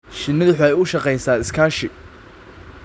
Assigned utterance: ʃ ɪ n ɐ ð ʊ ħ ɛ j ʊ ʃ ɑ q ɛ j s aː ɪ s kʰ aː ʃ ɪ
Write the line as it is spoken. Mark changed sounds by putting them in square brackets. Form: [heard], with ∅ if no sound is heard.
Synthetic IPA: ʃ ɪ n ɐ ð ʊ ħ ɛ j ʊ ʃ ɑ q ɛ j s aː ɪ s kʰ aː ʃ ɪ